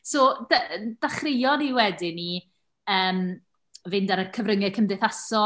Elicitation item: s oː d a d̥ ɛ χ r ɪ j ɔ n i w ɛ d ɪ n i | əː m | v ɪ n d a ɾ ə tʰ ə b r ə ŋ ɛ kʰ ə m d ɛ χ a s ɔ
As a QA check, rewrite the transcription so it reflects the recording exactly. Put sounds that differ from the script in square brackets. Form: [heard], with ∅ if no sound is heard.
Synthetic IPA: s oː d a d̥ [a] χ r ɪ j ɔ n i w ɛ d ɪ n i | əː m | v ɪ n d a ɾ ə [kʰ] ə [v] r ə ŋ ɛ kʰ ə m d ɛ [θ] a s ɔ